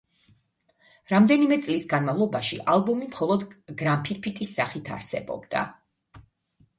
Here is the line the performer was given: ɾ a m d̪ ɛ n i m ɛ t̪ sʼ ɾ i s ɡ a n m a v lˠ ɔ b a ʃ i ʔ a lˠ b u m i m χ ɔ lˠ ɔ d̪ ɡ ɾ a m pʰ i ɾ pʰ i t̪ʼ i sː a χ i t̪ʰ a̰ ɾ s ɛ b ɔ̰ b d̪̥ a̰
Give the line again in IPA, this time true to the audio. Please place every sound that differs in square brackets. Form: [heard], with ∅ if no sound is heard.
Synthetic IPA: ɾ a m d̪ ɛ n i m ɛ t̪ sʼ [l] i s ɡ a n m a v lˠ ɔ b a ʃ i ʔ a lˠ b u m i m χ ɔ lˠ ɔ d̪ ɡ ɾ a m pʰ i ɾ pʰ i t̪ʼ i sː a χ i t̪ʰ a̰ ɾ s ɛ b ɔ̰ b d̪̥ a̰

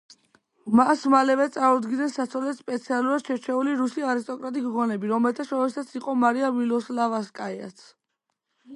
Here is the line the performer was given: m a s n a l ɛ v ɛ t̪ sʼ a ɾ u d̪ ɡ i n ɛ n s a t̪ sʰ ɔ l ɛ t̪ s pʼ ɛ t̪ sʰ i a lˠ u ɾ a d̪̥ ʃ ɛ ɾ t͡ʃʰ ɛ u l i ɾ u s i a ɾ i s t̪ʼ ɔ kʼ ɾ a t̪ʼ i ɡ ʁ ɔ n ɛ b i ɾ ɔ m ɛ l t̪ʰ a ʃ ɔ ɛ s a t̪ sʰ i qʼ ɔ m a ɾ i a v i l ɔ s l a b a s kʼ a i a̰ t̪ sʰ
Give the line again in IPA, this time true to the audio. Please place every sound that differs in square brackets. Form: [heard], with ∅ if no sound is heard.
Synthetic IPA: m a s [m] a l ɛ v ɛ t̪ sʼ a ɾ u d̪ ɡ i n ɛ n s a t̪ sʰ ɔ l ɛ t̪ s pʼ ɛ t̪ sʰ i a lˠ u ɾ a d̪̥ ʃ ɛ ɾ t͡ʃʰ ɛ u l i ɾ u s i a ɾ i s t̪ʼ ɔ kʼ ɾ a t̪ʼ i ɡ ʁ ɔ n ɛ b i ɾ ɔ m ɛ l t̪ʰ a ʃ ɔ ɛ s a t̪ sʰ i qʼ ɔ m a ɾ i a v i l ɔ s l a [v] a s kʼ a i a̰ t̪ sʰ

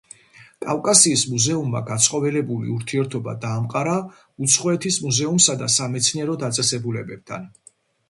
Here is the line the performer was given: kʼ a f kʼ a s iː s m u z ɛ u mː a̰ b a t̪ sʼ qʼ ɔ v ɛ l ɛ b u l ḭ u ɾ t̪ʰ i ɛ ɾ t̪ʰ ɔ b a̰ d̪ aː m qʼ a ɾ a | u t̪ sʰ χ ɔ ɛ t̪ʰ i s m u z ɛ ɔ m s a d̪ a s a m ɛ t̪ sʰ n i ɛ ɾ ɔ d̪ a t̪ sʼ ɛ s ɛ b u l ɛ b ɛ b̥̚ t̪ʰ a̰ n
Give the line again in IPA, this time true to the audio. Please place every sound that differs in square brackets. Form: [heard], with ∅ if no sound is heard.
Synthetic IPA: kʼ a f kʼ a s iː s m u z ɛ u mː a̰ [ɡ] a t̪ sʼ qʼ ɔ v ɛ l ɛ b u l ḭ u ɾ t̪ʰ i ɛ ɾ t̪ʰ ɔ b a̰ d̪ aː m qʼ a ɾ a | u t̪ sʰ χ ɔ ɛ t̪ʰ i s m u z ɛ [u] m s a d̪ a s a m ɛ t̪ sʰ n i ɛ ɾ ɔ d̪ a t̪ sʼ ɛ s ɛ b u l ɛ b ɛ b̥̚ t̪ʰ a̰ n

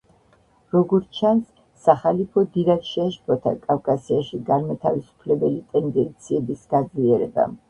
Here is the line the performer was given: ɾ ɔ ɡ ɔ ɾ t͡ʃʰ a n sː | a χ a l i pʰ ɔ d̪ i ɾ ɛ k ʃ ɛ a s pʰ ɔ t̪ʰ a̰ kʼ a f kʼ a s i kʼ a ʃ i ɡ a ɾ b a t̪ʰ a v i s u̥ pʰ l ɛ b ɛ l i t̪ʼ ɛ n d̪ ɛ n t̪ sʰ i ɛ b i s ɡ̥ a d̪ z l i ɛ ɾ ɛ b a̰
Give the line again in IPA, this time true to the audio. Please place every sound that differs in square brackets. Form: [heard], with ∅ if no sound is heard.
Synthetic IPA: ɾ ɔ ɡ ɔ ɾ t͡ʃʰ a n sː | a χ a l i pʰ ɔ d̪ i ɾ [a] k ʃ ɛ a [ʃ] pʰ ɔ t̪ʰ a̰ kʼ a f kʼ a s i [∅] a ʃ i ɡ a ɾ [m] a t̪ʰ a v i s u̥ pʰ l ɛ b ɛ l i t̪ʼ ɛ n d̪ ɛ n t̪ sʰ i ɛ b i s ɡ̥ a d̪ z l i ɛ ɾ ɛ b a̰

